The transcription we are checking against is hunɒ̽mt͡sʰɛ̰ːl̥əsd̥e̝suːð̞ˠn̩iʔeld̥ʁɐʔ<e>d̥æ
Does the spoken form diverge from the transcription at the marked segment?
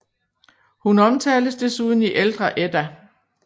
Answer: no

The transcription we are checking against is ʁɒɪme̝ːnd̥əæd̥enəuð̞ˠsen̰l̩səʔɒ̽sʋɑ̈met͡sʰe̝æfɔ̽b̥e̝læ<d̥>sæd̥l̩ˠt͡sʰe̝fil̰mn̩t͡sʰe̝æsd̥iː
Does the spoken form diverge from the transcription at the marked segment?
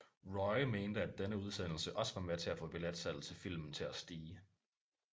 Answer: no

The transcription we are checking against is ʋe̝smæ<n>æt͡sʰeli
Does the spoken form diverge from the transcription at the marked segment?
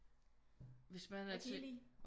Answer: no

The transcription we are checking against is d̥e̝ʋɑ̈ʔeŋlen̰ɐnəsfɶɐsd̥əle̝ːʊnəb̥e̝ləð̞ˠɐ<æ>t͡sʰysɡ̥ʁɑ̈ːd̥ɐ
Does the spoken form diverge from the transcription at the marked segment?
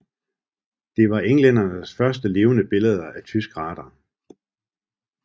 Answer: no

